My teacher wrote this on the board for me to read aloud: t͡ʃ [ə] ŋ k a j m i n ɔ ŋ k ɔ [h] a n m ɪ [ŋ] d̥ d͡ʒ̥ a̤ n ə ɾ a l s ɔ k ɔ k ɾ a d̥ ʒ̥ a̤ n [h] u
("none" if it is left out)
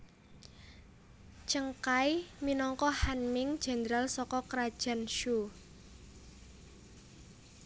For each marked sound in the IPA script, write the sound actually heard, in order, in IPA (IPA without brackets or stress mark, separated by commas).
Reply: ə, h, ŋ, ʃ